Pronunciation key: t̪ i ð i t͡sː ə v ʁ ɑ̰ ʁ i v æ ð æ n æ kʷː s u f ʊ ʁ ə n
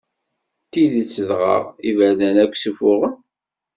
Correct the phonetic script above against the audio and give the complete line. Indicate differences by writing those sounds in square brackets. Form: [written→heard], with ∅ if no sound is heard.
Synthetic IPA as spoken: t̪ i ð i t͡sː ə [v→ð] ʁ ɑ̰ ʁ i v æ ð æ n æ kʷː s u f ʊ ʁ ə n